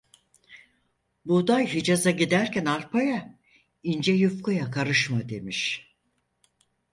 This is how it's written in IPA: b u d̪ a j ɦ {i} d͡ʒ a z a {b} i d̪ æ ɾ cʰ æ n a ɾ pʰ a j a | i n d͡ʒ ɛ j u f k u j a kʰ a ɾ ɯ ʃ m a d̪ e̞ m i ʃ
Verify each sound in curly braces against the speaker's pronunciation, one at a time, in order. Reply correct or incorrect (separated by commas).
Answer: correct, incorrect